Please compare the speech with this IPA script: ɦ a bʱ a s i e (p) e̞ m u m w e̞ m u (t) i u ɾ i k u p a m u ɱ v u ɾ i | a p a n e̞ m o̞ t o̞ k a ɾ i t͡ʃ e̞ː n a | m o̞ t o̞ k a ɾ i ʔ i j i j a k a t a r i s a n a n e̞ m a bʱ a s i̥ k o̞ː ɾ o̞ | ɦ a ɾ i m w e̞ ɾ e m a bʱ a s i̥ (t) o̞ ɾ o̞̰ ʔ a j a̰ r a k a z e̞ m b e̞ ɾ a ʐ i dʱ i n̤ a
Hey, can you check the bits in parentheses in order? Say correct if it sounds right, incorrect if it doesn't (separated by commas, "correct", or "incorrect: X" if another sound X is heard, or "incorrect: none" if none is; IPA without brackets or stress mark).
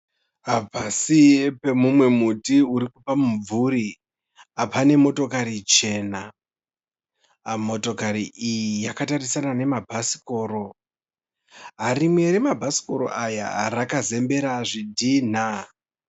correct, correct, incorrect: k